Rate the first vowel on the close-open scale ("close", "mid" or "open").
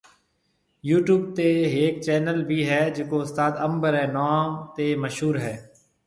close